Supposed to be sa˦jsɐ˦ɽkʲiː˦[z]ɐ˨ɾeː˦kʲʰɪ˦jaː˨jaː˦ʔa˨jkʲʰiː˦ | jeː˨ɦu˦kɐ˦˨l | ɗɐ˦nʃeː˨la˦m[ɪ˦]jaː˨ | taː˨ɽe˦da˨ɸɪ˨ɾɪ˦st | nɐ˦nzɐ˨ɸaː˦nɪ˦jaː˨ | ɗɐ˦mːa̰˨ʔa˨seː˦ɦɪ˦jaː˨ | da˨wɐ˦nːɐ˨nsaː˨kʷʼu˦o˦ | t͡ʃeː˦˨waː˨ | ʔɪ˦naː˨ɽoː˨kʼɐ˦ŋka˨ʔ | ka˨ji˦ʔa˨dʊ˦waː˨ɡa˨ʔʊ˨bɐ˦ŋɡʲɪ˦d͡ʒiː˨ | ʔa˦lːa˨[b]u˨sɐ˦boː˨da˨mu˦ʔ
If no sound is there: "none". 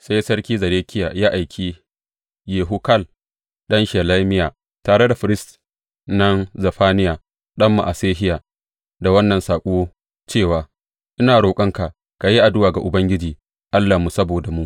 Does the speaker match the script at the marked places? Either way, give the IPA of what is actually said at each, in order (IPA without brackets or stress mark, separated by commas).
z, ɪ˦, m